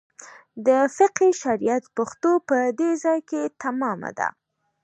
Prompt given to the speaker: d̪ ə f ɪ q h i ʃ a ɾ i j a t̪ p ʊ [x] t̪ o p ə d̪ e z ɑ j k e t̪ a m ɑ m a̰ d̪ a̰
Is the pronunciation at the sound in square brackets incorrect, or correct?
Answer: correct